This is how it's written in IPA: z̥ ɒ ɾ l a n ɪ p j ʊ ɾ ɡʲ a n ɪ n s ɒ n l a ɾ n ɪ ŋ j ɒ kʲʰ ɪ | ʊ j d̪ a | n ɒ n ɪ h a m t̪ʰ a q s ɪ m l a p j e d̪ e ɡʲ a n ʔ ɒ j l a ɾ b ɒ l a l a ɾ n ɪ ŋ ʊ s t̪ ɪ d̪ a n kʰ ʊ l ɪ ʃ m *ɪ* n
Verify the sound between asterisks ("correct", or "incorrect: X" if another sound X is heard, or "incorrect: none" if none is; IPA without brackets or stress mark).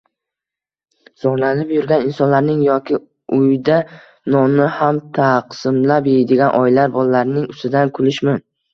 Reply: correct